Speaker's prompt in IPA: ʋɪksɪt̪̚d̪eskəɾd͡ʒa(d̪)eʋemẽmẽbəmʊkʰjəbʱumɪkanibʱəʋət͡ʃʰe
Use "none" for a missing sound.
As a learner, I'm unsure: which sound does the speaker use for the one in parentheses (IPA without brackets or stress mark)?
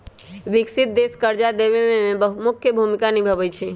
d̪